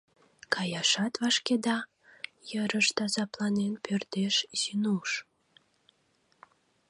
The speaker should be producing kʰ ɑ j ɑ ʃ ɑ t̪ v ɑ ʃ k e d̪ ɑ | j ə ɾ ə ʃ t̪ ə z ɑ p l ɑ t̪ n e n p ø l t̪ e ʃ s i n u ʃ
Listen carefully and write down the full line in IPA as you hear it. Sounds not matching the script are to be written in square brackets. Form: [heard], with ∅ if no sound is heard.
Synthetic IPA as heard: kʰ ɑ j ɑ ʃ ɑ t̪ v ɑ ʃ k e d̪ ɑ | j ə ɾ ə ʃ t̪ [ɑ] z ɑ p l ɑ [∅] n e n p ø [r] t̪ e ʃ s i n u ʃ